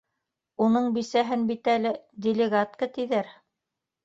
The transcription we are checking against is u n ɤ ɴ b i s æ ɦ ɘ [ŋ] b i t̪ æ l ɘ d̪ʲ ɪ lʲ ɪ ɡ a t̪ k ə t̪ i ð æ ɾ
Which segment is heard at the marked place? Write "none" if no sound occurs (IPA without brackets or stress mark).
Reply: n